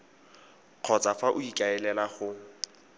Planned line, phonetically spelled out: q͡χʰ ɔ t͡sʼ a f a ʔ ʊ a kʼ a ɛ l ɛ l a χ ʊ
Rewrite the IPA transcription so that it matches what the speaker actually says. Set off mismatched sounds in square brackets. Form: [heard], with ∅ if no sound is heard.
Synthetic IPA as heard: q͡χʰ ɔ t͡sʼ a f a ʔ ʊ [i] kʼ a ɛ l ɛ l a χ ʊ